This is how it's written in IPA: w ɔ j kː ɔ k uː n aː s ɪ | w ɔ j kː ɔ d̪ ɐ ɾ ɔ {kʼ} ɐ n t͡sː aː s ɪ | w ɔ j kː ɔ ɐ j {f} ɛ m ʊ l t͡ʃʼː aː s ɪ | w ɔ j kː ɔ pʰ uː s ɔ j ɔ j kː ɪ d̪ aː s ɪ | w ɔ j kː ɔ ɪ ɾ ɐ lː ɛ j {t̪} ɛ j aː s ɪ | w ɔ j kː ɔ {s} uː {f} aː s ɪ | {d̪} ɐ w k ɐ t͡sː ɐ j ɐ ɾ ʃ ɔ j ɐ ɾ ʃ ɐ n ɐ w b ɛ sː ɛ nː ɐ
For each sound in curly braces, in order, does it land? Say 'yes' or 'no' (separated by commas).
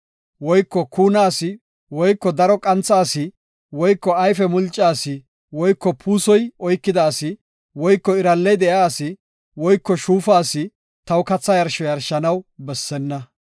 yes, yes, no, no, yes, no